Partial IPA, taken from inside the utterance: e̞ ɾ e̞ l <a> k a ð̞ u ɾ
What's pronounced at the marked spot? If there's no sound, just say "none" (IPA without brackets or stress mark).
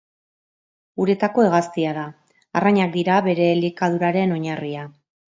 i